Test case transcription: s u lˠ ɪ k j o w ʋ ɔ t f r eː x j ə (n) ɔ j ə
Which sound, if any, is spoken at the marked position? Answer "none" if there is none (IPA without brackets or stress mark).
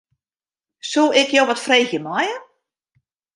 m